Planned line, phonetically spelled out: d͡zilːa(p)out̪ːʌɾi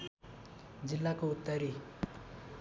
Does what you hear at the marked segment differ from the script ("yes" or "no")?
yes